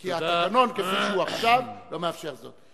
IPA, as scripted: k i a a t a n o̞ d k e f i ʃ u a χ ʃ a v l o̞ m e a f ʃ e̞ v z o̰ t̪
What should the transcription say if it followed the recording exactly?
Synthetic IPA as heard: k i a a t a n o̞ n k e f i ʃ u a χ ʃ a v l o̞ m e a f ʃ e̞ ʁ z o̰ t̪